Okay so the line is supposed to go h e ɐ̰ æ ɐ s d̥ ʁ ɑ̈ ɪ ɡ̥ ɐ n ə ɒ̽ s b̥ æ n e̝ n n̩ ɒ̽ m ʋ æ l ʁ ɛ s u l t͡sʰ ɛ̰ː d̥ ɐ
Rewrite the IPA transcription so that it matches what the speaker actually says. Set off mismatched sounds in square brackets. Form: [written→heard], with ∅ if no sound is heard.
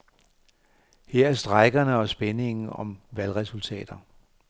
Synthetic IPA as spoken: h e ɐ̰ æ ɐ s d̥ ʁ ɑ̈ ɪ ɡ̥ ɐ n ə ɒ̽ s b̥ [æ→e] n e̝ [n→ŋ] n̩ ɒ̽ m ʋ æ l ʁ ɛ s u l t͡sʰ ɛ̰ː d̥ ɐ